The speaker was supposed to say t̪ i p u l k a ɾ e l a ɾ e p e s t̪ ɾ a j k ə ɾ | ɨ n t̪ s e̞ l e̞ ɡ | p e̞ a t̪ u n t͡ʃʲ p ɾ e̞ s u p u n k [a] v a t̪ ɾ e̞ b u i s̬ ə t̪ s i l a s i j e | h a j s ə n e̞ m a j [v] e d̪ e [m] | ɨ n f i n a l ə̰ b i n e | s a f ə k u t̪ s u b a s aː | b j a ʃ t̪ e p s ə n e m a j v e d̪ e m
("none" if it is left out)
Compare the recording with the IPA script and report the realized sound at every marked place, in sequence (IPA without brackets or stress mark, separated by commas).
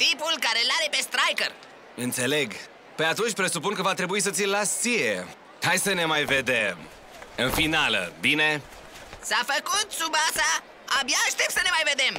ə, v, m